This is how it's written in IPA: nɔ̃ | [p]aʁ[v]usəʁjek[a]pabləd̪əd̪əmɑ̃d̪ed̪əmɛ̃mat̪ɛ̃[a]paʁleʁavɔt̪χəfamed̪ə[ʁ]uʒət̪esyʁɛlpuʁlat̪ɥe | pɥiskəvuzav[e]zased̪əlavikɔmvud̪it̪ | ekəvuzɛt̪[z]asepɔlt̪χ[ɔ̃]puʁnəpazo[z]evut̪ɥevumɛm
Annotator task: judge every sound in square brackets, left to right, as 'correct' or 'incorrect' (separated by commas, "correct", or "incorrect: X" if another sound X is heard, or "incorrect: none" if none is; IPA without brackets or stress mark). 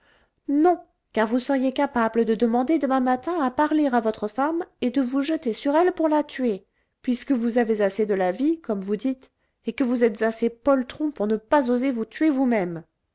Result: incorrect: k, correct, correct, correct, incorrect: v, correct, correct, correct, correct